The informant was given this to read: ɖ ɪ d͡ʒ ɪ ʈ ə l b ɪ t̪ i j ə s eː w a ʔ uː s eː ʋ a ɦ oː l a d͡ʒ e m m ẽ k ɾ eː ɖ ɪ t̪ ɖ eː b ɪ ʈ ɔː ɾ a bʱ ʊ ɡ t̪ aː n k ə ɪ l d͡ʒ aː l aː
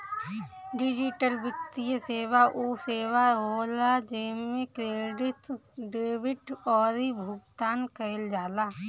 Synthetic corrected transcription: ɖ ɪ d͡ʒ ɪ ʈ ə l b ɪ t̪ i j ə s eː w a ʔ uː s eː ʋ a ɦ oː l a d͡ʒ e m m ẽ k ɾ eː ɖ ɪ t̪ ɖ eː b ɪ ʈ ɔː ɾ i bʱ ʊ ɡ t̪ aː n k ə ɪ l d͡ʒ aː l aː

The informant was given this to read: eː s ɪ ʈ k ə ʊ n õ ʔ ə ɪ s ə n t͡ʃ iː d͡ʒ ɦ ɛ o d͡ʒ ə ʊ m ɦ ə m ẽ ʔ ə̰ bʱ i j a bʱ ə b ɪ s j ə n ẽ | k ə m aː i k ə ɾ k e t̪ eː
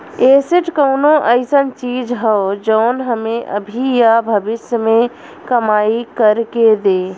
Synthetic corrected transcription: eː s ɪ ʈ k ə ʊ n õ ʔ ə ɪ s ə n t͡ʃ iː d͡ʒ ɦ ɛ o d͡ʒ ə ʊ n ɦ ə m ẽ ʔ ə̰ bʱ i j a bʱ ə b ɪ s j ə m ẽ | k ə m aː i k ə ɾ k e d̪ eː

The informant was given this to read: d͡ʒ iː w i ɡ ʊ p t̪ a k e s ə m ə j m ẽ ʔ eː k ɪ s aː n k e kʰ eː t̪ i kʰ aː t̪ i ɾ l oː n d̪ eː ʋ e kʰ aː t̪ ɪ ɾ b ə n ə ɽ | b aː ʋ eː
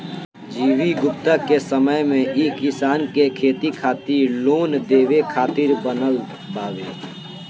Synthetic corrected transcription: d͡ʒ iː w i ɡ ʊ p t̪ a k e s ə m ə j m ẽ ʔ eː k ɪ s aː n k e kʰ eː t̪ i kʰ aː t̪ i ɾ l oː n d̪ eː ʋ e kʰ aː t̪ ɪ ɾ b ə n ə l | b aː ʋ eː

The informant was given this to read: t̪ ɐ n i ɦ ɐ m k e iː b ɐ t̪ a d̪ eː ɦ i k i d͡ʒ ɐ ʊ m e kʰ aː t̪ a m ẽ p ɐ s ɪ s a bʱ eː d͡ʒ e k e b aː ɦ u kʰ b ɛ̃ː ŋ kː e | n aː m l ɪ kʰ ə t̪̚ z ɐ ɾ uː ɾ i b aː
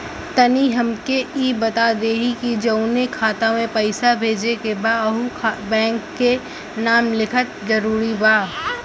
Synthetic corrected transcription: t̪ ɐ n i ɦ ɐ m k e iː b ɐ t̪ a d̪ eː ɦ i k i d͡ʒ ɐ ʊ n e kʰ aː t̪ a m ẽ p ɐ ɪ s a bʱ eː d͡ʒ e k e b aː ɦ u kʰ b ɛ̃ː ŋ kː e | n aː m l ɪ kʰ ə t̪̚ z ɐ ɾ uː ɾ i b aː

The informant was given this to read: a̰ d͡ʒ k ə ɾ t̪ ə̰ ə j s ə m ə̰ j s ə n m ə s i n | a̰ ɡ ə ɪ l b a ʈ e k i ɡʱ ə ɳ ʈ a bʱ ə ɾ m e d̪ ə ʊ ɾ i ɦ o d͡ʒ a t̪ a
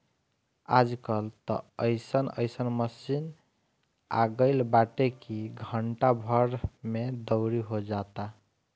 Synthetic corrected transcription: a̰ d͡ʒ k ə l t̪ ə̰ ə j s ə n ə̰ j s ə n m ə s i n | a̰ ɡ ə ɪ l b a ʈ e k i ɡʱ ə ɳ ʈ a bʱ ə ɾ m e d̪ ə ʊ ɾ i ɦ o d͡ʒ a t̪ a

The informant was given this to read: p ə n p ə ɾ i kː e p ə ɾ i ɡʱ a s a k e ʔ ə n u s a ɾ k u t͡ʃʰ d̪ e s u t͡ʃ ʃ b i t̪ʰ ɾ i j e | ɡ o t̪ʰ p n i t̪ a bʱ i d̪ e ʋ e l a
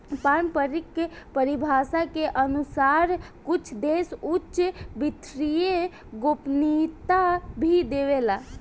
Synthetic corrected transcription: p a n p ə ɾ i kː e p ə ɾ i bʱ a s a k e ʔ ə n u s a ɾ k u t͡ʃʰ d̪ e s u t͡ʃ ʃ b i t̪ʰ ɾ i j e | ɡ o p n i t̪ a bʱ i d̪ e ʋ e l a

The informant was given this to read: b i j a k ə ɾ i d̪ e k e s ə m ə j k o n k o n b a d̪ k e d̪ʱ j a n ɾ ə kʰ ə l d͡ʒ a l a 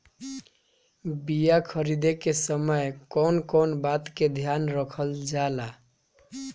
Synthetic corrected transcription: b i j a kʰ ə ɾ i d̪ e k e s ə m ə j k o n k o n b a t̪ k e d̪ʱ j a n ɾ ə kʰ ə l d͡ʒ a l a

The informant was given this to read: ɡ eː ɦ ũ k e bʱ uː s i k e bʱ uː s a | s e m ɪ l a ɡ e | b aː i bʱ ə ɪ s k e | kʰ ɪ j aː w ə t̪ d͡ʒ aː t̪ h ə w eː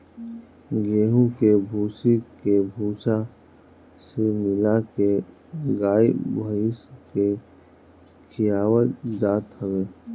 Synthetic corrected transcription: ɡ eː ɦ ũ k e bʱ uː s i k e bʱ uː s a | s e m ɪ l a k e | ɡ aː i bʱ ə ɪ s k e | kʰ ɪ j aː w ə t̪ d͡ʒ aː t̪ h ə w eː

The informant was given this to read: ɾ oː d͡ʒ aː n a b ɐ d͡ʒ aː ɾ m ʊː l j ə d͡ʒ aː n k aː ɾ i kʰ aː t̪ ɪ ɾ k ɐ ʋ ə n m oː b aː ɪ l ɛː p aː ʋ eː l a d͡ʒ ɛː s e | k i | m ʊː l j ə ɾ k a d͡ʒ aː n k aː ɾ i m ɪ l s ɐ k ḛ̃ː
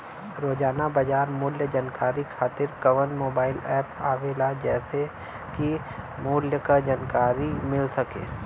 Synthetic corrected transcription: ɾ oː d͡ʒ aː n a b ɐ d͡ʒ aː ɾ m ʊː l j ə d͡ʒ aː n k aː ɾ i kʰ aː t̪ ɪ ɾ k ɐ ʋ ə n m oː b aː ɪ l ɛː p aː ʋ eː l a d͡ʒ ɛː s e | k i | m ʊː l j ə k a d͡ʒ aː n k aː ɾ i m ɪ l s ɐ k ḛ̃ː

